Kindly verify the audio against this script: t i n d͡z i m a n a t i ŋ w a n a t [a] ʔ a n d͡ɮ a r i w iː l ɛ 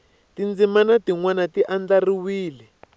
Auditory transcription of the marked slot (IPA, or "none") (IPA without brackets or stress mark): i